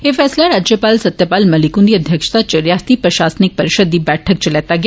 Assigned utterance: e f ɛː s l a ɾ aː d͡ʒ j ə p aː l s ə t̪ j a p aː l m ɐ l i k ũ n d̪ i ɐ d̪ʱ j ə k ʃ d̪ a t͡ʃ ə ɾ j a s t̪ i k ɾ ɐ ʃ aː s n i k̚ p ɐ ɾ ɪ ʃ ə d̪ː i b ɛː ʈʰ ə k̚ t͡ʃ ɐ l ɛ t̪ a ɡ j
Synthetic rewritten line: e f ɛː s l a ɾ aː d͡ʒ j ə p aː l s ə t̪ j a p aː l m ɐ l i k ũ n d̪ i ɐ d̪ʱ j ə k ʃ t̪ a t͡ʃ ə ɾ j a s t̪ i p ɾ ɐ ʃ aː s n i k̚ p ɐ ɾ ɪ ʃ ə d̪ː i b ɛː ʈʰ ə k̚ t͡ʃ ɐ l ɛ t̪ a ɡ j